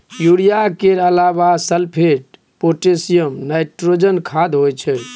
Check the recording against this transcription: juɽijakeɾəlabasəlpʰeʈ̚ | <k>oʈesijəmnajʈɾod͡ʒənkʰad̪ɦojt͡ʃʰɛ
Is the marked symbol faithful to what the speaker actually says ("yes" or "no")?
no